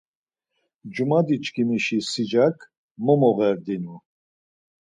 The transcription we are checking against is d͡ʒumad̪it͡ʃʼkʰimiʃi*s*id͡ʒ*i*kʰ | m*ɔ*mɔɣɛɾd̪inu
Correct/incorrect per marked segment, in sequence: correct, incorrect: a, correct

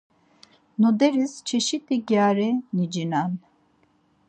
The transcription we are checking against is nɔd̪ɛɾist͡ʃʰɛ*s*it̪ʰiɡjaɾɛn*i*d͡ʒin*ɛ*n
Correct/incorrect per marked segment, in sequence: incorrect: ʃ, correct, incorrect: a

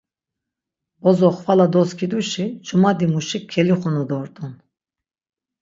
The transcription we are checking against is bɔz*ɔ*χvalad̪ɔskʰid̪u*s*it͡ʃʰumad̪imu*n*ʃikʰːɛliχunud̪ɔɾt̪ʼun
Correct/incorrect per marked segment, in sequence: correct, incorrect: ʃ, incorrect: none

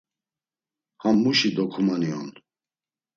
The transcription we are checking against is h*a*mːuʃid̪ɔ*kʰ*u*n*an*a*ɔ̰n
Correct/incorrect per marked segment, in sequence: correct, correct, incorrect: m, incorrect: i

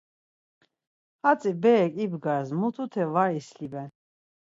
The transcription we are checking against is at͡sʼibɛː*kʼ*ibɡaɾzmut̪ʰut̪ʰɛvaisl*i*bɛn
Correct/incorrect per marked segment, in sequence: correct, correct

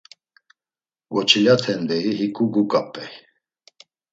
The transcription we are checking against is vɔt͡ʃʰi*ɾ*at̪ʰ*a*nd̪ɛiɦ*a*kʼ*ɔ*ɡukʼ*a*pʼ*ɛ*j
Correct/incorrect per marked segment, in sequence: incorrect: l, incorrect: ɛ, incorrect: i, incorrect: u, correct, correct

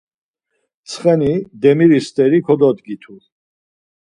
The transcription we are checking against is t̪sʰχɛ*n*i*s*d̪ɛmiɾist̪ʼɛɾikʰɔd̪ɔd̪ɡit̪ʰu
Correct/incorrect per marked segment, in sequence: correct, incorrect: none

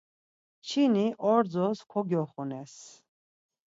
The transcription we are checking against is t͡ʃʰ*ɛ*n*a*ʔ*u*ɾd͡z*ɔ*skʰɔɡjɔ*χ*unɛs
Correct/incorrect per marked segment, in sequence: incorrect: i, incorrect: i, incorrect: ɔ, correct, correct

